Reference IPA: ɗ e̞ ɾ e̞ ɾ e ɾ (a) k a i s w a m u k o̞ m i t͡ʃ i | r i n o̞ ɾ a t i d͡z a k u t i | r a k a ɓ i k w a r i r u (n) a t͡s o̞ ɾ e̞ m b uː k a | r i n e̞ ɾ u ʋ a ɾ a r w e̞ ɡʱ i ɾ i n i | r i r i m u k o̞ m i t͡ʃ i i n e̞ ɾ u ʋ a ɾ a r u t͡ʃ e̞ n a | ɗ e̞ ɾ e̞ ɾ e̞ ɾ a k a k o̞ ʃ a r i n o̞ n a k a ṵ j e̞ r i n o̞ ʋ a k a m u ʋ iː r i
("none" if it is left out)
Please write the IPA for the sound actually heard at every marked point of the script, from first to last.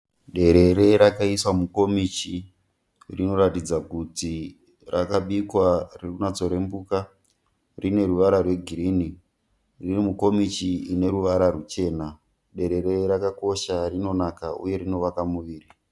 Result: a, n

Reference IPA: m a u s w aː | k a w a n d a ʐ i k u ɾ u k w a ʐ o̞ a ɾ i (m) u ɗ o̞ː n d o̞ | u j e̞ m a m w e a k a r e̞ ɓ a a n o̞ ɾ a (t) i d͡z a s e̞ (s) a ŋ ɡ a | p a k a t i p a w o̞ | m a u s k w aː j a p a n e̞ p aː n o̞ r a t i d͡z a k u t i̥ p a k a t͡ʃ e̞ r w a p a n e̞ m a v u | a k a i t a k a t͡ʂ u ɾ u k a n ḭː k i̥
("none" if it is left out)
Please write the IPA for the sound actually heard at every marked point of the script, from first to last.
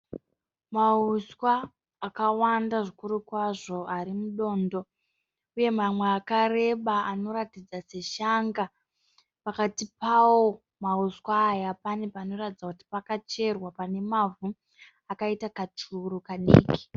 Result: m, t, ʃ

